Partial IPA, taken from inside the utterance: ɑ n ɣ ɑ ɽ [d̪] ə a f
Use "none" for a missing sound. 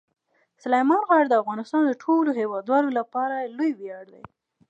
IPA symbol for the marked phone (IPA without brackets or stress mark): d̪